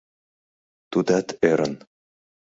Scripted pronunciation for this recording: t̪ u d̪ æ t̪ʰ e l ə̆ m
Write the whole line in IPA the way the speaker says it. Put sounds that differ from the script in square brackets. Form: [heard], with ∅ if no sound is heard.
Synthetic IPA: t̪ u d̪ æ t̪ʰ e [ɾ] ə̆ [n]

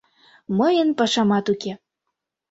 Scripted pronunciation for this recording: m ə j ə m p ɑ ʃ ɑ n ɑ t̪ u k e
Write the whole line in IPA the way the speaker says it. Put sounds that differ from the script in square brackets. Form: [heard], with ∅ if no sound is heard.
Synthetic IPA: m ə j ə [n] p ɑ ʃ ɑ [m] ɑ t̪ u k e

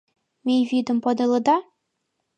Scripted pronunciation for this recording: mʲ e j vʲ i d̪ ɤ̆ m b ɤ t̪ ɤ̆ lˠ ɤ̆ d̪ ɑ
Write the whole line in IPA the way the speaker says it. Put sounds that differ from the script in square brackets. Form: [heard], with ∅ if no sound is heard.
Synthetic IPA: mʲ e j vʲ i d̪ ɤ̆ m [p] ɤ [d̪] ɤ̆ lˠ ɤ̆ d̪ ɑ

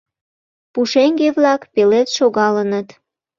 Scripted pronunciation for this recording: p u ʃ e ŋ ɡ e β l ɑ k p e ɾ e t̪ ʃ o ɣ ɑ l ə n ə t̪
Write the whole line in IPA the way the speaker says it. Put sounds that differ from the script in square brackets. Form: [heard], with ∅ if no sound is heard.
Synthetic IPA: p u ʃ e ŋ ɡ e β l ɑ k p e [l] e t̪ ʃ o ɣ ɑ l ə n ə t̪

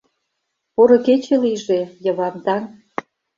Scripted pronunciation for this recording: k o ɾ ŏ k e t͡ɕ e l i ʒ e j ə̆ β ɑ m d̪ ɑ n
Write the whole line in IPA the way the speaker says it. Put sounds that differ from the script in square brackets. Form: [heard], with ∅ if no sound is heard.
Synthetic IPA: [p] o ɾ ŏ k e t͡ɕ e l i ʒ e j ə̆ β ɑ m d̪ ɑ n

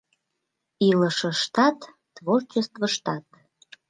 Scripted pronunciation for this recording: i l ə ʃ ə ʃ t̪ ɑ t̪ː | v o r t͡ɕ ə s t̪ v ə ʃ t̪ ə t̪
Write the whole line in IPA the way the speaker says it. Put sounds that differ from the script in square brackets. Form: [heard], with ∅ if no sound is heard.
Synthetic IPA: i l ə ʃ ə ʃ t̪ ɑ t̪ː | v o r t͡ɕ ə s t̪ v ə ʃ t̪ [ɑ] t̪

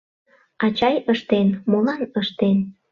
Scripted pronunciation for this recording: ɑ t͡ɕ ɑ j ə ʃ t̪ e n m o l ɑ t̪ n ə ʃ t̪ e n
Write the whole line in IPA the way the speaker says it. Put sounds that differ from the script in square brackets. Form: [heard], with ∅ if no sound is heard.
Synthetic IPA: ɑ t͡ɕ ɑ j ə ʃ t̪ e n m o l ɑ [∅] n ə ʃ t̪ e n

